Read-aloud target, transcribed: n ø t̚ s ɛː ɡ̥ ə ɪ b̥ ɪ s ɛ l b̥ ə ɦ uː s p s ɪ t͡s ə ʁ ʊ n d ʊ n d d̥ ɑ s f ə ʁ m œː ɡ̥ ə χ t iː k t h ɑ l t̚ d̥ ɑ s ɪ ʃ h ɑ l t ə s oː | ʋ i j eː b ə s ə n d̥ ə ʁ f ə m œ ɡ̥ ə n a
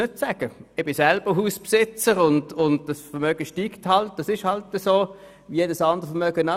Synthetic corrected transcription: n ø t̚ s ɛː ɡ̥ ə ɪ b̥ ɪ s ɛ l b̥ ə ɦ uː s p s ɪ t͡s ə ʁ ʊ n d ʊ n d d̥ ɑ s f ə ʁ m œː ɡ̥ ə ʃ t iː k t h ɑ l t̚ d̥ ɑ s ɪ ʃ h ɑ l t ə s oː | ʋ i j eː d ə s ɑ n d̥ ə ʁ f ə m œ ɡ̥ ə n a